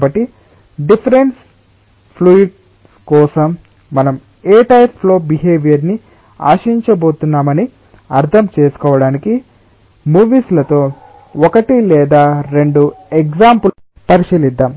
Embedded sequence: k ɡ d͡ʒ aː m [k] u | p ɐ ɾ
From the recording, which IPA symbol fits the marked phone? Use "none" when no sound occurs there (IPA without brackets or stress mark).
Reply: p